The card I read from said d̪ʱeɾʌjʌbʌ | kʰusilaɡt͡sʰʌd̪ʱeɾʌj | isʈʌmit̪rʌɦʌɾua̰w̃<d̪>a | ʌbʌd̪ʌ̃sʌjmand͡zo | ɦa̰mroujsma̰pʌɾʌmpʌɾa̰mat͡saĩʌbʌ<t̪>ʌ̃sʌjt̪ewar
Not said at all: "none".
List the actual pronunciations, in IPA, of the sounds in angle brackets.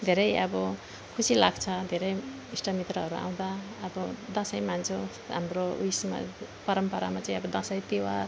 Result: d̪, d̪

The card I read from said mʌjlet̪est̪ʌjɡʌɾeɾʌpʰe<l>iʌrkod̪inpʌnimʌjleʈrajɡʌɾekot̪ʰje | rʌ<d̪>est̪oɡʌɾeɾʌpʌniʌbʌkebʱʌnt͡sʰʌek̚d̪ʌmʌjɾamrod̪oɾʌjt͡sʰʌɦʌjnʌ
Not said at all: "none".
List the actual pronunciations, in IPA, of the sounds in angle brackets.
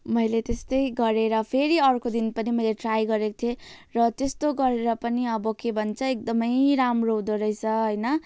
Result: ɾ, t̪

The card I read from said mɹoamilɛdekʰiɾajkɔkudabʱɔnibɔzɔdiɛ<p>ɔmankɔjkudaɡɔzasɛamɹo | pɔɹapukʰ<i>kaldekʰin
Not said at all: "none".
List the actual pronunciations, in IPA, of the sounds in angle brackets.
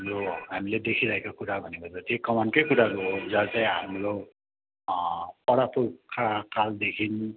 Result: k, a

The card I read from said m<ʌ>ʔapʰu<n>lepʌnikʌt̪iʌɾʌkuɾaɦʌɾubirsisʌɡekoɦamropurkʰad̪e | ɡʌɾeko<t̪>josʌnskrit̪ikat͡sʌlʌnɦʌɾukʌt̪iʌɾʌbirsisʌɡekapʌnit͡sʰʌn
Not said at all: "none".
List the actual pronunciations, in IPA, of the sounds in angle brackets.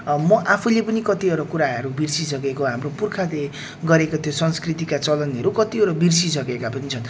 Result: ʌ, none, t̪ʰ

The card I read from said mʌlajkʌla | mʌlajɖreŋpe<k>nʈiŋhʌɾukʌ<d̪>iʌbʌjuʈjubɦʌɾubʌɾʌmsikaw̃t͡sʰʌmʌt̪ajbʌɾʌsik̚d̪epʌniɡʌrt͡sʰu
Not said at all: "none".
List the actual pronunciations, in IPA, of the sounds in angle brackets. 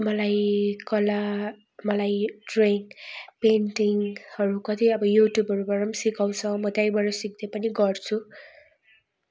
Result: none, t̪

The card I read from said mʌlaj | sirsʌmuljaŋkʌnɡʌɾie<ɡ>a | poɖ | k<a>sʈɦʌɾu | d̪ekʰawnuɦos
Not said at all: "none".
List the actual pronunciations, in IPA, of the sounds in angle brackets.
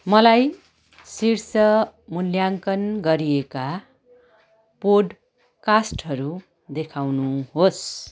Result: k, a

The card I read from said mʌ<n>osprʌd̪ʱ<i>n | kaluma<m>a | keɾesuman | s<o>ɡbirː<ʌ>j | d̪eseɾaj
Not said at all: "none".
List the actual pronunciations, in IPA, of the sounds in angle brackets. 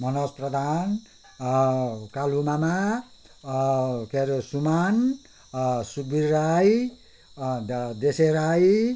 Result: n, a, m, u, a

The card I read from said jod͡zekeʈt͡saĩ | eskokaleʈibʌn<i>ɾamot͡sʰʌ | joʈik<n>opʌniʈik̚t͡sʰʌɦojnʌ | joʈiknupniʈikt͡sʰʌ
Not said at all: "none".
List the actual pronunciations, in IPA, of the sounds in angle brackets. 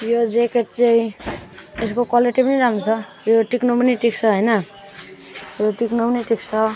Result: i, n

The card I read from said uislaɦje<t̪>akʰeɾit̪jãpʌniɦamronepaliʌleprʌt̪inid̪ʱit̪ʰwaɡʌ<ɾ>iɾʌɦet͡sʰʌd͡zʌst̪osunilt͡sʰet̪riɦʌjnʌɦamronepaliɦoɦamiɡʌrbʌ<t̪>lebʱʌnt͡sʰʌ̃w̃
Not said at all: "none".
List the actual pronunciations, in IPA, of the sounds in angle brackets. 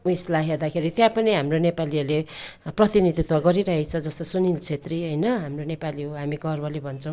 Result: d̪, ɾ, none

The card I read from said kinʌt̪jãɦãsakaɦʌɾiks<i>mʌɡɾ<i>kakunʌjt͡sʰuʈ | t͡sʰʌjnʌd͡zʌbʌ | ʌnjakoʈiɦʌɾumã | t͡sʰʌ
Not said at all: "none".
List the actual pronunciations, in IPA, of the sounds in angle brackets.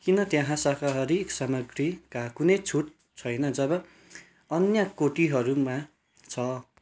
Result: a, i

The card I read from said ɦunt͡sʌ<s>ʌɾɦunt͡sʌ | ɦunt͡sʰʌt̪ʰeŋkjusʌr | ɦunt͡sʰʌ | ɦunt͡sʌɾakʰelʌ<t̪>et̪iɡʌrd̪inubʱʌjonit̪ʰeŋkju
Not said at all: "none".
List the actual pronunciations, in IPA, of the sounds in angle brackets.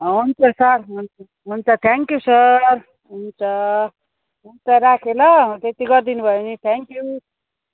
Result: s, t̪

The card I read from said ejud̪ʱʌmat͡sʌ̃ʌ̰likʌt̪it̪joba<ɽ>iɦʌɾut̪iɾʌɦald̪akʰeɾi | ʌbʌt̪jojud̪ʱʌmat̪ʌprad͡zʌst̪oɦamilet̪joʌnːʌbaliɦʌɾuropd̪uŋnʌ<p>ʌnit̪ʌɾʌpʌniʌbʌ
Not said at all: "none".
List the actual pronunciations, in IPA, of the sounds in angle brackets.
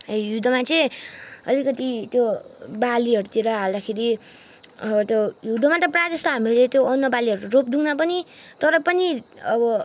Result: l, p

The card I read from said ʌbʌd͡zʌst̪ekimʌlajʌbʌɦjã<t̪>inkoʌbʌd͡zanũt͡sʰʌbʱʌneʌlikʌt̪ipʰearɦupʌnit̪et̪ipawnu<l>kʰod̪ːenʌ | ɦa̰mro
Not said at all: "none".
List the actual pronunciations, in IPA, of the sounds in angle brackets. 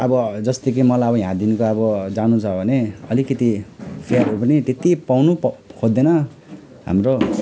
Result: d̪, none

